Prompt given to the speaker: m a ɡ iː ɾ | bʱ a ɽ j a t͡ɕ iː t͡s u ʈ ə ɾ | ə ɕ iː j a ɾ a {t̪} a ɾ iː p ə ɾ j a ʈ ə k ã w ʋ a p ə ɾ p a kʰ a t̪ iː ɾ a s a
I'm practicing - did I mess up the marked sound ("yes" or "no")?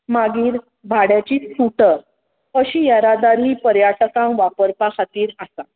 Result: yes